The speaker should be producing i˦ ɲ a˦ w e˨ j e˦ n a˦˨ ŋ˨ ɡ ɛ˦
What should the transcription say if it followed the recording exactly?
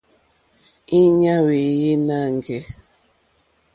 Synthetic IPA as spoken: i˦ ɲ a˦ w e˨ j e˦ n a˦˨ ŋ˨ ɡ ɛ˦